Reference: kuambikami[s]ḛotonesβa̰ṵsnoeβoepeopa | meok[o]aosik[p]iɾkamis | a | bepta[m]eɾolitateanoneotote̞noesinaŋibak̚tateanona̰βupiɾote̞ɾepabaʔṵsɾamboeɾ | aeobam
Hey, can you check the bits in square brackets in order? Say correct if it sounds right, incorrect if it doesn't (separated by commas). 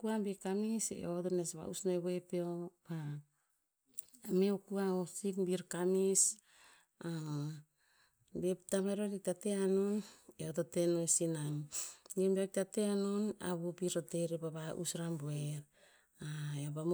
correct, incorrect, incorrect, correct